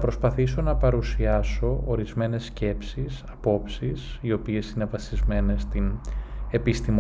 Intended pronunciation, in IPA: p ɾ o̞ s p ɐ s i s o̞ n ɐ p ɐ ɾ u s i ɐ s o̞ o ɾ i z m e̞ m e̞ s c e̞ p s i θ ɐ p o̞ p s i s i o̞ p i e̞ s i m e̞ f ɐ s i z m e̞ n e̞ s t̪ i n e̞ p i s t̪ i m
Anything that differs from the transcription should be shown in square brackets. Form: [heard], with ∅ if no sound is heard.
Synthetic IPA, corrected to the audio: p ɾ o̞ s p ɐ [θ] i s o̞ n ɐ p ɐ ɾ u s i ɐ s o̞ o ɾ i z m e̞ [n] e̞ s c e̞ p s i [s] ɐ p o̞ p s i s i o̞ p i e̞ s i [n] e̞ [v] ɐ s i z m e̞ n e̞ s t̪ i n e̞ p i s t̪ i m